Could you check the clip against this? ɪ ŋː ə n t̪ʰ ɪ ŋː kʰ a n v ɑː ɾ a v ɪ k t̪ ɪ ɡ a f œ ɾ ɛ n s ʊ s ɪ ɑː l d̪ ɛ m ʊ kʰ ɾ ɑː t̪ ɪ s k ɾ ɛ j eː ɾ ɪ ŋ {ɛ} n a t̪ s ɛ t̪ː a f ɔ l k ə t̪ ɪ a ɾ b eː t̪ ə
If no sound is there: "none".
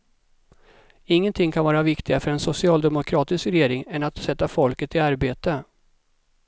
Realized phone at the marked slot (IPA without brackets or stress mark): ɛ